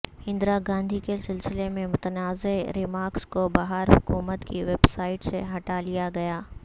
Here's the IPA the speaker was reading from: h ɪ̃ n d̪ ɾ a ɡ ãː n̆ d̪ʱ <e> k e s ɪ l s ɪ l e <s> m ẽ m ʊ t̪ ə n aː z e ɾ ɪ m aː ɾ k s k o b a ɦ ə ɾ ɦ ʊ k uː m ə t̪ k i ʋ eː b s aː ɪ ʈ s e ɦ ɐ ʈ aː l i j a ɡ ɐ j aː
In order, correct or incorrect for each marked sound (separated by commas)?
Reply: incorrect, incorrect